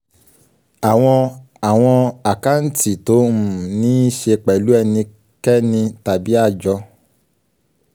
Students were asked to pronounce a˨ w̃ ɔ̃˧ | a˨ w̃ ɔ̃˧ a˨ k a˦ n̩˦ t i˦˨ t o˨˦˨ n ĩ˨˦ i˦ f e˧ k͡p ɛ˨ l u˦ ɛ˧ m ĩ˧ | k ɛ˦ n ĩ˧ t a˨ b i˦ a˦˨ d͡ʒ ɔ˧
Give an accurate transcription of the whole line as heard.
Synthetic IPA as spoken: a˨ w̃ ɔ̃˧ | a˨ w̃ ɔ̃˧ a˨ k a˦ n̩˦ t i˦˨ t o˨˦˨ n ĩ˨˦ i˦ ʃ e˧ k͡p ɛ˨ l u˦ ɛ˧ n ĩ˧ | k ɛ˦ n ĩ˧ t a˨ b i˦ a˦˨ d͡ʒ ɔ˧